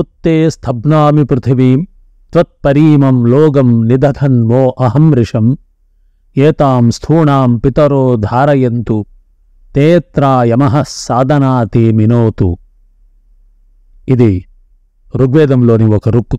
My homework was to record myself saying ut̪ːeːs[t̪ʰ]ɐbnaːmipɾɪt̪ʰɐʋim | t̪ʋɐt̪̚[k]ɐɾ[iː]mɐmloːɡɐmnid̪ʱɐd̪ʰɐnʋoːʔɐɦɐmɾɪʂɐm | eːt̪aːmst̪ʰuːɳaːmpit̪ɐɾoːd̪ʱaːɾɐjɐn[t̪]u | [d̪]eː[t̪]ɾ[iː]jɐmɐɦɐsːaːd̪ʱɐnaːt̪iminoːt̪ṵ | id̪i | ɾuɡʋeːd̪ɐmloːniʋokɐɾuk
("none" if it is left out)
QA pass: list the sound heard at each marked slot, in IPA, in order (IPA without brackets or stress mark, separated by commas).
t̪ʰ, p, iː, t̪, t̪, t̪, aː